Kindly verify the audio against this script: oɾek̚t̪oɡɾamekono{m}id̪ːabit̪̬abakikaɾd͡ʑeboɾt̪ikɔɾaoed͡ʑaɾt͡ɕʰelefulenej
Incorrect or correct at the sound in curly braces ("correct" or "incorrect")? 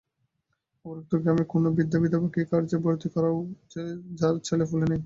incorrect